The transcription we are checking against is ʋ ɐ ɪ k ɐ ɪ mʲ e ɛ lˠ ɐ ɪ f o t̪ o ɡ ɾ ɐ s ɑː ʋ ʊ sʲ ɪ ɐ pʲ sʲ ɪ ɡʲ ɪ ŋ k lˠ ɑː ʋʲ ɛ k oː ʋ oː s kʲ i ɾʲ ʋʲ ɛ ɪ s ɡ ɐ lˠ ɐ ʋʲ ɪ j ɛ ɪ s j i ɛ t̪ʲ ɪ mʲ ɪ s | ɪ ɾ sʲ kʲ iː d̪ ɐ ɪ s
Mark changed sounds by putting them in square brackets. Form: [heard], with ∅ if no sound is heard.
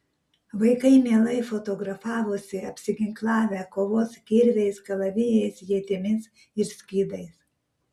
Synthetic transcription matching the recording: ʋ ɐ ɪ k ɐ ɪ mʲ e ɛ lˠ ɐ ɪ f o t̪ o ɡ ɾ ɐ [f] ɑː ʋ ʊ sʲ ɪ ɐ pʲ sʲ ɪ ɡʲ ɪ ŋ k lˠ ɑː ʋʲ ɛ k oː ʋ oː s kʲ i ɾʲ ʋʲ ɛ ɪ s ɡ ɐ lˠ ɐ ʋʲ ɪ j ɛ ɪ s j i ɛ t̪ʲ ɪ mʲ ɪ s | ɪ ɾ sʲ kʲ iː d̪ ɐ ɪ s